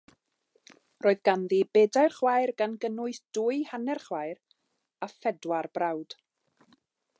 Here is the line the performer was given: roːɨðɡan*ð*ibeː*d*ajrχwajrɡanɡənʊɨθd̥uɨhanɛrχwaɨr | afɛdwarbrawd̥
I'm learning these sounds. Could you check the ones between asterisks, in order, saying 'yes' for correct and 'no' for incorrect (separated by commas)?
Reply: yes, yes